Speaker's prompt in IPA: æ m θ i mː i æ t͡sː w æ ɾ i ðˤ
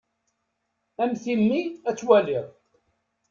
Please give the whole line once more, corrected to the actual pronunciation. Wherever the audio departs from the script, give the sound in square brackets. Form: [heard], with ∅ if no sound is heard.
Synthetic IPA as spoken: æ m θ i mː i æ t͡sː w æ [l] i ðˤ